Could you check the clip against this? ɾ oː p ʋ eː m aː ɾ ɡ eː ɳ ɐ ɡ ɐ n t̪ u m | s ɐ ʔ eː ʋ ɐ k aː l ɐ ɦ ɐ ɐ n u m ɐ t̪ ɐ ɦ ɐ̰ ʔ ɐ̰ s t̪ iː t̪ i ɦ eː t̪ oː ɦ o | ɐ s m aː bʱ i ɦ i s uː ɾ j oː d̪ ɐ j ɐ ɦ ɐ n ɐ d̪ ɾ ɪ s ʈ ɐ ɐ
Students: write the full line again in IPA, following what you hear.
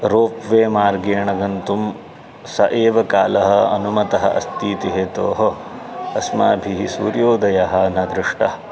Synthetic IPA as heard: ɾ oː p ʋ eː m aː ɾ ɡ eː ɳ ɐ ɡ ɐ n t̪ u m | s ɐ ʔ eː ʋ ɐ k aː l ɐ ɦ ɐ ɐ n u m ɐ t̪ ɐ ɦ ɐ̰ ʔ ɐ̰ s t̪ iː t̪ i ɦ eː t̪ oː ɦ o | ɐ s m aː bʱ i ɦ i s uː ɾ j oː d̪ ɐ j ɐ ɦ ɐ n ɐ d̪ ɾ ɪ ʂ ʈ ɐ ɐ